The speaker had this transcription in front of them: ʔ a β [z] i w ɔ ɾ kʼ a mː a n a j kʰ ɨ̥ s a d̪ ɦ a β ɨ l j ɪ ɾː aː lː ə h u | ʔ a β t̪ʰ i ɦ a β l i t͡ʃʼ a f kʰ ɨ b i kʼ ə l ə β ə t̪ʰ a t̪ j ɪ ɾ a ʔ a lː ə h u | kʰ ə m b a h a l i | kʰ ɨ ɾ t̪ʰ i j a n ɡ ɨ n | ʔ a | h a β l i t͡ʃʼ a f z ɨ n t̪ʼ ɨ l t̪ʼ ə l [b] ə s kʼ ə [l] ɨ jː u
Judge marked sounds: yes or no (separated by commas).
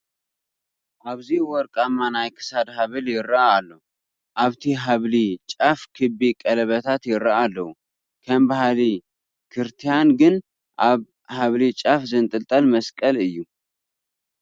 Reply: yes, no, yes